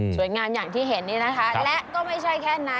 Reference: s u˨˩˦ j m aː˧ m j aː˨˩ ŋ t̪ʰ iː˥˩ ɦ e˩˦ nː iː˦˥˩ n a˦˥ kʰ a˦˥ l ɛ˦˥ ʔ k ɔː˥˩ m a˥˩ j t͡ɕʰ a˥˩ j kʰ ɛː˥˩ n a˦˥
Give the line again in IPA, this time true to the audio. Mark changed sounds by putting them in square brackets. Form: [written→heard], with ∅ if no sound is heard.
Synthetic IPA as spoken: s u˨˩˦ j [m→ŋ] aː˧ m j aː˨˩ ŋ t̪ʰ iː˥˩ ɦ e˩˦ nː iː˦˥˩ n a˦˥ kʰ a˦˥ l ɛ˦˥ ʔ k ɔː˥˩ m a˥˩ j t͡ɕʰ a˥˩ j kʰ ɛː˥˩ n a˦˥